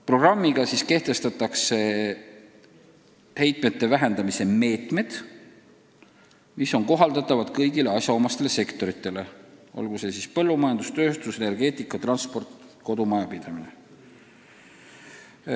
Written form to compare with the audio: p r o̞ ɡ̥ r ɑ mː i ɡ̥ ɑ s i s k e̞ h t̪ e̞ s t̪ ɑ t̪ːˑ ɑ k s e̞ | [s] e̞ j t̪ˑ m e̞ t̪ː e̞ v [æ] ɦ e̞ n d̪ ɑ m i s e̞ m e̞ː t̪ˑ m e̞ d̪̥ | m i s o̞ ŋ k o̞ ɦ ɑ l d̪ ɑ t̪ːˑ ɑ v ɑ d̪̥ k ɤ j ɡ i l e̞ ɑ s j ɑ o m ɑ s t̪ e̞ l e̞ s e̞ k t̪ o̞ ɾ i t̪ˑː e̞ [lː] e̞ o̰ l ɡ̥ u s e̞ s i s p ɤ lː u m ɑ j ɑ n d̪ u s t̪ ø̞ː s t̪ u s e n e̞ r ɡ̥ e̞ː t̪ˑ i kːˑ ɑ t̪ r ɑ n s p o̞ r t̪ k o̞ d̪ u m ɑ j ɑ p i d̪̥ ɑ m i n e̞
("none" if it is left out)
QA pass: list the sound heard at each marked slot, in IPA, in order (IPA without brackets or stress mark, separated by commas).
h, æ, l